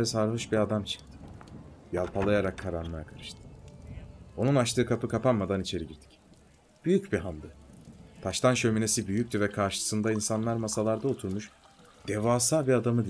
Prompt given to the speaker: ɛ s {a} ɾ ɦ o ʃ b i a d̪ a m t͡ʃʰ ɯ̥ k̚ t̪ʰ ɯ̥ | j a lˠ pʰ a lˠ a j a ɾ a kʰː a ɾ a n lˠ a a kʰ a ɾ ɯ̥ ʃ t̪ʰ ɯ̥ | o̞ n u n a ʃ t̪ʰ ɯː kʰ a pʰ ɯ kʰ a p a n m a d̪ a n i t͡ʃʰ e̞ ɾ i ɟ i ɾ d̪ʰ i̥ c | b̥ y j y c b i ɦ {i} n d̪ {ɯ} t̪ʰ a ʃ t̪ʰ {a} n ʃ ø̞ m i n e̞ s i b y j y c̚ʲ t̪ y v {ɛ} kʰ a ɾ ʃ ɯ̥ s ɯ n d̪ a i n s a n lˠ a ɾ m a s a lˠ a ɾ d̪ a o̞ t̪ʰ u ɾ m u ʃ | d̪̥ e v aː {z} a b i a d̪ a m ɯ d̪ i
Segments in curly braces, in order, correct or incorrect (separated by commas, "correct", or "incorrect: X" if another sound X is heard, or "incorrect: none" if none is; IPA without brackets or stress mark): correct, incorrect: a, correct, correct, correct, incorrect: s